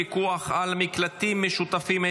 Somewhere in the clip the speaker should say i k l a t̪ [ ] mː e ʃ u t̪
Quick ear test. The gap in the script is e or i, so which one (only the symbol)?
i